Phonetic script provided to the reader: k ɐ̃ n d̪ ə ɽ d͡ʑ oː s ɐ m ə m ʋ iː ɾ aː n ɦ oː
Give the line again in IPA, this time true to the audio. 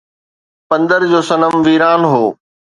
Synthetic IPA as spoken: p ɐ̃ n d̪ ə ɾ d͡ʑ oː s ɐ n ə m ʋ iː ɾ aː n ɦ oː